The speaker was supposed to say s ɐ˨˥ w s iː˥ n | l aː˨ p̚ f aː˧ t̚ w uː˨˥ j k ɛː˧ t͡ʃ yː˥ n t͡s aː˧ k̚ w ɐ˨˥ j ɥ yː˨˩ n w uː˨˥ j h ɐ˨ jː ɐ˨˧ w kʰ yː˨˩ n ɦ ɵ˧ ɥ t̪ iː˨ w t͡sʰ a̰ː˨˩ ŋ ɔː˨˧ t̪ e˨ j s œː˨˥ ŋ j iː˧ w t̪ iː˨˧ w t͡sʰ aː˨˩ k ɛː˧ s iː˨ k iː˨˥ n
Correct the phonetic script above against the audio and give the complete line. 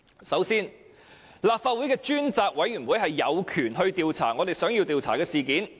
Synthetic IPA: s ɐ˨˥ w s iː˥ n | l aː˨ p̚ f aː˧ t̚ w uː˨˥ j k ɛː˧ t͡ʃ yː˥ n t͡s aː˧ k̚ w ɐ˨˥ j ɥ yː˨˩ n w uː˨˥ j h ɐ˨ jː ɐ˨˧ w kʰ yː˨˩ n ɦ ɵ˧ ɥ t̪ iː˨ w t͡sʰ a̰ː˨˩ ŋ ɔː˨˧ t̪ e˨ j s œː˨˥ ŋ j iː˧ w t̪ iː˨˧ w t͡sʰ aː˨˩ k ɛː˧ s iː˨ k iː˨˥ n